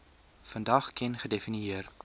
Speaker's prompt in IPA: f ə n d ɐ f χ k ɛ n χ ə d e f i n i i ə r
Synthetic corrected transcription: f ə n d ɐ χ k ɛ n χ ə d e f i n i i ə r